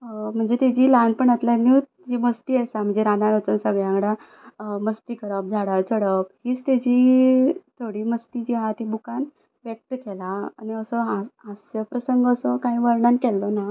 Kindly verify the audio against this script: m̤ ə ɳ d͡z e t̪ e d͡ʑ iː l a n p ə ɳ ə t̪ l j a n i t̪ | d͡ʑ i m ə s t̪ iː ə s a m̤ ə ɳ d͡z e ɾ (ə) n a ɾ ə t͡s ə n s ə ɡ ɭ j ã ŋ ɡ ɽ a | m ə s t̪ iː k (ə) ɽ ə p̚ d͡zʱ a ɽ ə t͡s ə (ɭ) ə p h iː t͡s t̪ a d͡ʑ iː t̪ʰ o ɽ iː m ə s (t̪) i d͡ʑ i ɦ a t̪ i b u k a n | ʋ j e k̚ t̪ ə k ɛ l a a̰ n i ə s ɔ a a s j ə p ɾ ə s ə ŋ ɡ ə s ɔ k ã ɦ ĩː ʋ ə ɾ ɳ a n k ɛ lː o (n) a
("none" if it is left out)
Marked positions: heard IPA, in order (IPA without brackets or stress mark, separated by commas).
a, ə, ɽ, t̪, n